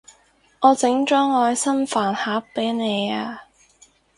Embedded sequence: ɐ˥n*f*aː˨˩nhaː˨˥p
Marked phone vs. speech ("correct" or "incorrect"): correct